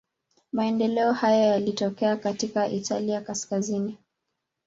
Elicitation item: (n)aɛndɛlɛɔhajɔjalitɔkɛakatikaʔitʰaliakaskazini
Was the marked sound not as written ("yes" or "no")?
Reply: yes